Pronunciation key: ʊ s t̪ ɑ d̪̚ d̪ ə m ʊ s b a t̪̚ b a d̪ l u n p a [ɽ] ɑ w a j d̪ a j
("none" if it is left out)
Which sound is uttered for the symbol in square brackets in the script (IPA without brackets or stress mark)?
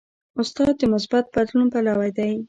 l